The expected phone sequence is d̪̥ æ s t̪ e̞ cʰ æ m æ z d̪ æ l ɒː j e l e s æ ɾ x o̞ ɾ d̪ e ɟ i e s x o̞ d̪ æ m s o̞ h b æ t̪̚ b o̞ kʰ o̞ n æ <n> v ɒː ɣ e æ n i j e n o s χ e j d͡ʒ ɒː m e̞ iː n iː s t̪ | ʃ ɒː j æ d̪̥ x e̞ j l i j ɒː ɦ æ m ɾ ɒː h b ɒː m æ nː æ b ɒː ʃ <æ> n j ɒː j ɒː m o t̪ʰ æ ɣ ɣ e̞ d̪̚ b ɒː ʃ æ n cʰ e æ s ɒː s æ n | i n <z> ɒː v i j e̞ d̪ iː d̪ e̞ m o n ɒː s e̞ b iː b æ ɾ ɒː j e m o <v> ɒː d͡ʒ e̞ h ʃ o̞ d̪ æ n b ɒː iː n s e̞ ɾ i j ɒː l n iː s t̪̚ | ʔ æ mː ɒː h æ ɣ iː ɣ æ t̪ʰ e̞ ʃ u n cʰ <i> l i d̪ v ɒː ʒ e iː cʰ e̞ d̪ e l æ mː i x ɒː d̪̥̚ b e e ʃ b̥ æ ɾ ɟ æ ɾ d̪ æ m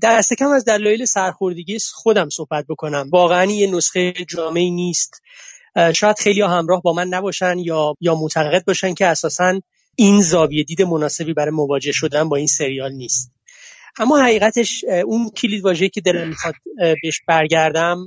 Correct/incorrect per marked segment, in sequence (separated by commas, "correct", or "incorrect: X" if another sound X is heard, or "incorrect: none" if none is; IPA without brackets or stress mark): incorrect: m, correct, correct, correct, correct